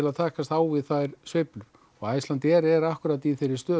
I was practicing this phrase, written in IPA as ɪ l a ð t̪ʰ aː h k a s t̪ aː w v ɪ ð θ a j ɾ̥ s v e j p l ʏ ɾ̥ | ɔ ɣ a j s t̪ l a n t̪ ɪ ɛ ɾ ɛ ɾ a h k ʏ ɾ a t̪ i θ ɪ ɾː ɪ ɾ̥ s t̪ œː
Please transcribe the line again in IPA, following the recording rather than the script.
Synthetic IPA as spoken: ɪ l a ð t̪ʰ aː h k a s t̪ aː w v ɪ ð θ a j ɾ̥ s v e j p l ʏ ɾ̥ | ɔ ɣ a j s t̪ l a n t̪ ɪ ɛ ɾ ɛ ɾ a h k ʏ ɾ a t̪ i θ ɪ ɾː ɪ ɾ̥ s t̪ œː